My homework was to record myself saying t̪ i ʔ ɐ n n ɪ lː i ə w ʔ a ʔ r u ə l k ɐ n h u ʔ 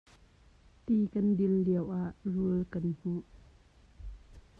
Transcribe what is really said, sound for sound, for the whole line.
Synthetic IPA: t̪ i k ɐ n d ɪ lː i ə w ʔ a ʔ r u ə l k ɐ n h u ʔ